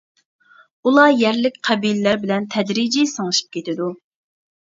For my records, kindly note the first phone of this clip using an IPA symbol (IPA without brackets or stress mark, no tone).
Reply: u